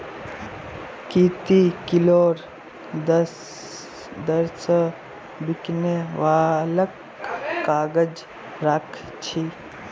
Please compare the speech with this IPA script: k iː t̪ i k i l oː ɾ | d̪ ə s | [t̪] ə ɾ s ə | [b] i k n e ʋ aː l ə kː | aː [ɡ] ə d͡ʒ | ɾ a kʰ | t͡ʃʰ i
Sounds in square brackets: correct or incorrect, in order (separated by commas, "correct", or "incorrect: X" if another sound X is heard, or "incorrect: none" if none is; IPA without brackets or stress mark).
incorrect: d̪, correct, correct